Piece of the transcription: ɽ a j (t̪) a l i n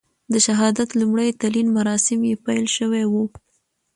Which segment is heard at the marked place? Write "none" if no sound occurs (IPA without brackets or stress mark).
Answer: t̪